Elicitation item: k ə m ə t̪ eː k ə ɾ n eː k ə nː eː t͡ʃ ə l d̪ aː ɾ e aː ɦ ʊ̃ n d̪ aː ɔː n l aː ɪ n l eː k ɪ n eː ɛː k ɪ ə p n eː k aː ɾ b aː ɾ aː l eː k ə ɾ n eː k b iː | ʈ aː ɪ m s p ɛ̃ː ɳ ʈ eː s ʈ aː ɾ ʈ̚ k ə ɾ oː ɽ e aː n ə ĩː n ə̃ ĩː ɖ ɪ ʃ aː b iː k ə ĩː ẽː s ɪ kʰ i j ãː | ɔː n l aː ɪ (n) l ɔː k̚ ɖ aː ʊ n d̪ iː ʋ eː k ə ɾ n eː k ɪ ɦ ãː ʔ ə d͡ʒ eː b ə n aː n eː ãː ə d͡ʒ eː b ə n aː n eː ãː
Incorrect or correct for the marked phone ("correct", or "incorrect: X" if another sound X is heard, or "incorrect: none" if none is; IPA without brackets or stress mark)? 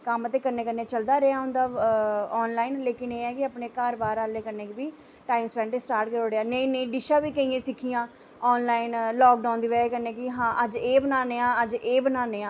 correct